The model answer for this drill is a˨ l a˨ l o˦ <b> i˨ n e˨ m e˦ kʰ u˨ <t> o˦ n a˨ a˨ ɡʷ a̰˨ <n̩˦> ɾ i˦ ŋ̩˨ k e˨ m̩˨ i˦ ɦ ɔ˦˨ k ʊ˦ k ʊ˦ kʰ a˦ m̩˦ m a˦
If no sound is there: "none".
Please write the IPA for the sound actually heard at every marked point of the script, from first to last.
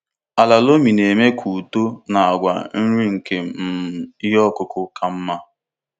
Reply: m, t, n̩˦

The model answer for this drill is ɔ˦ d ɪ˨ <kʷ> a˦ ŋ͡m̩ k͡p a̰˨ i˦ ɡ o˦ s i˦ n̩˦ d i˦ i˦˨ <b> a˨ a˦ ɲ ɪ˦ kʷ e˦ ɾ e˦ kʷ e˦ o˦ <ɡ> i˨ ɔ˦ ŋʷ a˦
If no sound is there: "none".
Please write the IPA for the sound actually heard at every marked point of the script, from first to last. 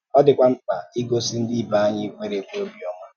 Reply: kʷ, b, b

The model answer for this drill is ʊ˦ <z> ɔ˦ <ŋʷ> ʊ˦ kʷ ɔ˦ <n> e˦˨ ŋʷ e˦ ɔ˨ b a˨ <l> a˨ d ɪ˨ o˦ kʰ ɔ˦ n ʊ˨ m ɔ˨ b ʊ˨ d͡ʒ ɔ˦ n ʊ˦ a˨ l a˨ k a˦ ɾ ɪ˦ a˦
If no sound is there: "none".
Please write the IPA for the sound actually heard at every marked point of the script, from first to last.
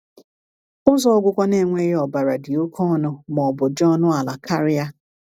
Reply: z, ɡʷ, n, ɾ

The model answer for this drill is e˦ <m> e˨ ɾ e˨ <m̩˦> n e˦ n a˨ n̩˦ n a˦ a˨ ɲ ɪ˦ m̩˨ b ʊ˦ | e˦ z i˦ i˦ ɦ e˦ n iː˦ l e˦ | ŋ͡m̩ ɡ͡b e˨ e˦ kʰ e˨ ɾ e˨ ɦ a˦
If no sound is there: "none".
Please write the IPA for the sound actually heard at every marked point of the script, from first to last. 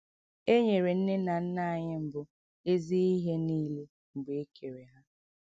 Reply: ɲ, n̩˦

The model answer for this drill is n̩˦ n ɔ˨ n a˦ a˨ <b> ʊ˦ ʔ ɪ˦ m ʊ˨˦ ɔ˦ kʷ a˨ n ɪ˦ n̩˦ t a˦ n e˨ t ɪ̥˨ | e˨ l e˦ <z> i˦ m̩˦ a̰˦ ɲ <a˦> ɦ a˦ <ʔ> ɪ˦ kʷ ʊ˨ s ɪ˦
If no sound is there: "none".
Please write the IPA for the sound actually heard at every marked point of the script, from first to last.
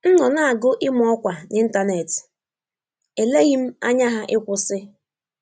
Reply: ɡ, ɣ, a˦, ʔ

